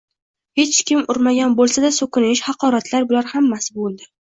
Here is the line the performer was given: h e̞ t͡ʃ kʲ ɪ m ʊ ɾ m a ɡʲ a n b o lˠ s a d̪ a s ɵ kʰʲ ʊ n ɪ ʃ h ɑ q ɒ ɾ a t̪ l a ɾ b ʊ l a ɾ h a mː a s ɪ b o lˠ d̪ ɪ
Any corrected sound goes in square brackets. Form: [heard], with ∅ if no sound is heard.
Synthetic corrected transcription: h e̞ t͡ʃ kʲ ɪ m ʊ ɾ m a ɡʲ a n b o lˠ s a d̪ a s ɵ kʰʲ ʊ n ɪ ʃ h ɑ q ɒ ɾ a t̪ l a ɾ b ʊ l a ɾ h a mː a s ɪ b o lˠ d̪ ɪ